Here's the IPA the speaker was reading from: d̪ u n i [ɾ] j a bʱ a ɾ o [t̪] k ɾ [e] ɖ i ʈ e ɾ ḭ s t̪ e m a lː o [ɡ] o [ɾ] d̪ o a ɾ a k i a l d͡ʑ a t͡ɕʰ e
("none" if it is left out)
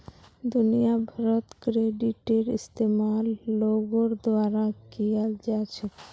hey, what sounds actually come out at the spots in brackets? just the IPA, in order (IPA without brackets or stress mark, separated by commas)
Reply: none, t̪, e, ɡ, ɾ